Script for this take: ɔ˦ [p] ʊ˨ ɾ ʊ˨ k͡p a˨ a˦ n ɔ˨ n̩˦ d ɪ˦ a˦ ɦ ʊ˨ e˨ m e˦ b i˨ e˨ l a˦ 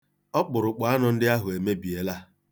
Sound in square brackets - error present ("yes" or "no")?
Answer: yes